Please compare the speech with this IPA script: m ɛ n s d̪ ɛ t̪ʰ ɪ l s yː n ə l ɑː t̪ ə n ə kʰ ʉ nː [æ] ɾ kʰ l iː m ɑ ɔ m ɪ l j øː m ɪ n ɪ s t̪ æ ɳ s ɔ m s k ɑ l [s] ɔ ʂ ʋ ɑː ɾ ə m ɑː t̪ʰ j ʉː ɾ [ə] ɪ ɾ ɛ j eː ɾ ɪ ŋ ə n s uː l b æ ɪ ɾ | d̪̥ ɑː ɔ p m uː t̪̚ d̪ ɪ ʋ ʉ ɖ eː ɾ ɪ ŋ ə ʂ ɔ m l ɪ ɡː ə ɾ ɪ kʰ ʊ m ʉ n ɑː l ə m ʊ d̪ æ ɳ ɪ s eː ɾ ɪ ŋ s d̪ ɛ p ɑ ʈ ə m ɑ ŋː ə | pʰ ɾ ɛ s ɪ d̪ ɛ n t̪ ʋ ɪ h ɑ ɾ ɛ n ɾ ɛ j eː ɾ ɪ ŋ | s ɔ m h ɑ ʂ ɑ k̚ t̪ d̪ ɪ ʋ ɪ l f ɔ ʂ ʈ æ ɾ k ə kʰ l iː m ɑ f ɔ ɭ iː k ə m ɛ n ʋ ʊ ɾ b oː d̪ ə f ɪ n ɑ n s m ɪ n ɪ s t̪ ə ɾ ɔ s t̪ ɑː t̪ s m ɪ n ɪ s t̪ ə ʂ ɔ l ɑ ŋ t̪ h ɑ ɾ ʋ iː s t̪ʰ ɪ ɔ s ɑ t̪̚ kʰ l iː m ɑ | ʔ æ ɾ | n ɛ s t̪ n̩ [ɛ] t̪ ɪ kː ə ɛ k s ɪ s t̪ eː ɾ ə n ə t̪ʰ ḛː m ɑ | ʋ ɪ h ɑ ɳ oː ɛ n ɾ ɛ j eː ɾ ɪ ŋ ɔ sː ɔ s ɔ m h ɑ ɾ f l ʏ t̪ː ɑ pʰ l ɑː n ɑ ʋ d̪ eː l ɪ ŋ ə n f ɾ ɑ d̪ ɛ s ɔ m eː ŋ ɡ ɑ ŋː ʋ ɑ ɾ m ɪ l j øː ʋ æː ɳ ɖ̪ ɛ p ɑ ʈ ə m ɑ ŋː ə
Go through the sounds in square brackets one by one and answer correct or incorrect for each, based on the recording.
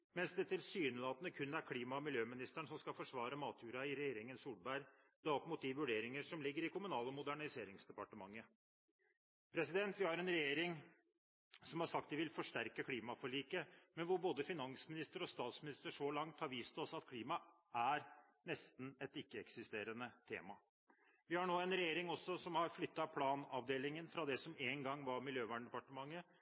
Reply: correct, incorrect: f, incorrect: ɑ, correct

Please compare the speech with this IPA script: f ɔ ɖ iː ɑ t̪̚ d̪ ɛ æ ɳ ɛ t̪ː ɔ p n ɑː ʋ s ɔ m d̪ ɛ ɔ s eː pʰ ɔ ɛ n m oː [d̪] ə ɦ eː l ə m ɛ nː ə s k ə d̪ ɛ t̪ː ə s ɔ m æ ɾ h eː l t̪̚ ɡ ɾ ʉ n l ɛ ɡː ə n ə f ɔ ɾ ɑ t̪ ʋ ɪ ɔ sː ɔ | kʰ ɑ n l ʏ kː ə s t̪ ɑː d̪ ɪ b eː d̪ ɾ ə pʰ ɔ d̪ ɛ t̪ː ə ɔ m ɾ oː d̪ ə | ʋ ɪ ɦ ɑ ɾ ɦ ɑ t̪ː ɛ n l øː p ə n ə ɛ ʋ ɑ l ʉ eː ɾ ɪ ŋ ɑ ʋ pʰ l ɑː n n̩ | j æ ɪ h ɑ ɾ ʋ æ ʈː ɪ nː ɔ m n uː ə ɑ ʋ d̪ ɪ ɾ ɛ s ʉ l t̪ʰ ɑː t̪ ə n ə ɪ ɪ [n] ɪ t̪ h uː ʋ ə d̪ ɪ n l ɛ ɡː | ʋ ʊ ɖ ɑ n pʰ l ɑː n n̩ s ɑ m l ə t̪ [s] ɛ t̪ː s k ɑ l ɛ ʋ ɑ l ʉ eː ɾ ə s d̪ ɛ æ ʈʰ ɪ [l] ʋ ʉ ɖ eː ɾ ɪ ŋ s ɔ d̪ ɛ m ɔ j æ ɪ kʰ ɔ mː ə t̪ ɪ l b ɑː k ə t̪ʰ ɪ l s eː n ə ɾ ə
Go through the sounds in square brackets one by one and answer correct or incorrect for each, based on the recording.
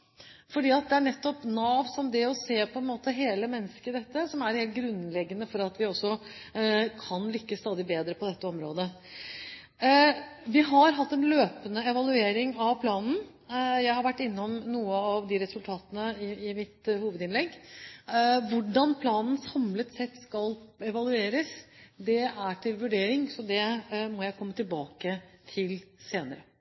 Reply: incorrect: t̪, incorrect: m, correct, correct

